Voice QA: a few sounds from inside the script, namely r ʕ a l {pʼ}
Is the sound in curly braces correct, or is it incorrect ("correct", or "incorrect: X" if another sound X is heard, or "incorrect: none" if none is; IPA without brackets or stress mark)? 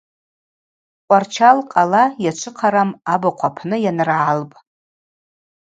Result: correct